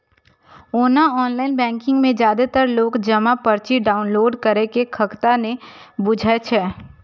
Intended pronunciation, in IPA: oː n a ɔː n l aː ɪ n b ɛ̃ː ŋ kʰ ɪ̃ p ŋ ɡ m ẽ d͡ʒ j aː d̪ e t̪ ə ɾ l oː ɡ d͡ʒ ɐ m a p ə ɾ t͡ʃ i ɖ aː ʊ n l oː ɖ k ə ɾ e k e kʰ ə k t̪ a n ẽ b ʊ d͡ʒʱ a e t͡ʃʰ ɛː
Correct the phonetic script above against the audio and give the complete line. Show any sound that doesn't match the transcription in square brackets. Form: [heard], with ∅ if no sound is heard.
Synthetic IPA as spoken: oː n a ɔː n l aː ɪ n b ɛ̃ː ŋ [k] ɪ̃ [∅] ŋ ɡ m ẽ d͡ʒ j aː d̪ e t̪ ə ɾ l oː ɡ d͡ʒ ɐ m a p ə ɾ t͡ʃ i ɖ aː ʊ n l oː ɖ k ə ɾ e k e kʰ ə k t̪ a n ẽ b ʊ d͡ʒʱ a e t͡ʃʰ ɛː

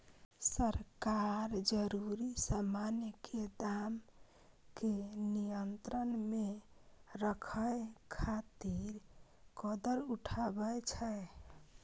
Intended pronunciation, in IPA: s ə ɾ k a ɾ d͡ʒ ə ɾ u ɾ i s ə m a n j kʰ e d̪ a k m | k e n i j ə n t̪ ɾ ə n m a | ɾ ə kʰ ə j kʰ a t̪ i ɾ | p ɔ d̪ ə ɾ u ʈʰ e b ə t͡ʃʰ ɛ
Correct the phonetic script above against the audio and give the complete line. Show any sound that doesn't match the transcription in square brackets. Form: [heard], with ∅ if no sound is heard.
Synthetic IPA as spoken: s ə ɾ k a ɾ d͡ʒ ə ɾ u ɾ i s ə m a n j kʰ e d̪ a [∅] m | k e n i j ə n t̪ ɾ ə n m [e] | ɾ ə kʰ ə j kʰ a t̪ i ɾ | [k] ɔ d̪ ə ɾ u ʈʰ [a] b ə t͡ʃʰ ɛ

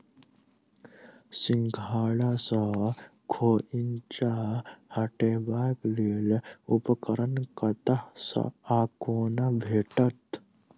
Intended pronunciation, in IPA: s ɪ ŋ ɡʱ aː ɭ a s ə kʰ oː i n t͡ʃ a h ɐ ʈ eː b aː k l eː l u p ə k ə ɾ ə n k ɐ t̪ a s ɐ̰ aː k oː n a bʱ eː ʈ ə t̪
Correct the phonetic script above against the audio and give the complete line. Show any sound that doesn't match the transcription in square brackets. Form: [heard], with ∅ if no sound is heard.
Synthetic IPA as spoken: s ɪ ŋ ɡʱ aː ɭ a s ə kʰ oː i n t͡ʃ a h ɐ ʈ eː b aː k l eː l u p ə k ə ɾ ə n k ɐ t̪ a s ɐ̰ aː k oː n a bʱ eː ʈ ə t̪

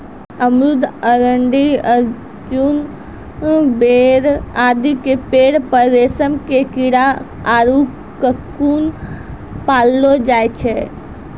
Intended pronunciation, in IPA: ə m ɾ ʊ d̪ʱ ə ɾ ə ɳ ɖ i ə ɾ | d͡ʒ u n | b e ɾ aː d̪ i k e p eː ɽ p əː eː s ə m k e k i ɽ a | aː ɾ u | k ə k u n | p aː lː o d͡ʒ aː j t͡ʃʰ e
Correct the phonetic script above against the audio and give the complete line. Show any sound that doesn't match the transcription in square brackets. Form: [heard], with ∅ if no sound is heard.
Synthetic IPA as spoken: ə m ɾ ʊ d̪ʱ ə ɾ ə ɳ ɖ i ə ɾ | d͡ʒ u n | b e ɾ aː d̪ i k e p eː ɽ p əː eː s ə m k e k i ɽ a | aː ɾ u | k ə k u n | p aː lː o d͡ʒ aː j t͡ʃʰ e

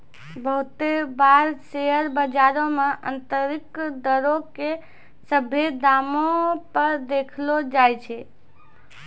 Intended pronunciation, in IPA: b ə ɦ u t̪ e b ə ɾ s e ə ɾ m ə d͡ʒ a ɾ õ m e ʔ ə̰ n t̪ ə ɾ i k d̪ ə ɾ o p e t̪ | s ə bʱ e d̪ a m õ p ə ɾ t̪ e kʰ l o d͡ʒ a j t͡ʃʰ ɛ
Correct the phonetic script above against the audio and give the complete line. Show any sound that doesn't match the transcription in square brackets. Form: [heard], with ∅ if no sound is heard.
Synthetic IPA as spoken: b ə ɦ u t̪ e b [a] ɾ s e ə ɾ [b] ə d͡ʒ a ɾ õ m e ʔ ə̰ n t̪ ə ɾ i k d̪ ə ɾ o [k] e [∅] | s ə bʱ e d̪ a m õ p ə ɾ [d̪] e kʰ l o d͡ʒ a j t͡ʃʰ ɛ

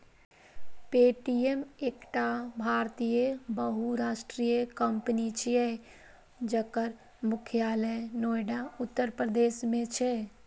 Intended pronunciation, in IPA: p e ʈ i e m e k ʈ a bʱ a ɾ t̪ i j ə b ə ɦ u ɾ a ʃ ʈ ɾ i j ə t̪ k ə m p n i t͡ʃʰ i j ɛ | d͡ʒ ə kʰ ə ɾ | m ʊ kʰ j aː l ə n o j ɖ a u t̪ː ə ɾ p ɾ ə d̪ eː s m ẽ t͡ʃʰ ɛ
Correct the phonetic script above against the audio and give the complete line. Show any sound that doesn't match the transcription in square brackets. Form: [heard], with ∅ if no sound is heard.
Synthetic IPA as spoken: p e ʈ i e m e k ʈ a bʱ a ɾ t̪ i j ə b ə ɦ u ɾ a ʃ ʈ ɾ i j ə [∅] k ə m p n i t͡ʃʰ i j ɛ | d͡ʒ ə [k] ə ɾ | m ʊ kʰ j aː l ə n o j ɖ a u t̪ː ə ɾ p ɾ ə d̪ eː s m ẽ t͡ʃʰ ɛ

